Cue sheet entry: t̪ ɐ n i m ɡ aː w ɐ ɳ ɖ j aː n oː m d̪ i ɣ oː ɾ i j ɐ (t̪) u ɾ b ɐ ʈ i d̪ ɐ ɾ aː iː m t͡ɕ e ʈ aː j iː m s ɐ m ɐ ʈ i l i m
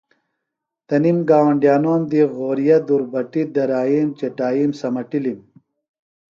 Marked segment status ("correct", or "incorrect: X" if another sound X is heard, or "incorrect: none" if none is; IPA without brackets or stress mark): incorrect: d̪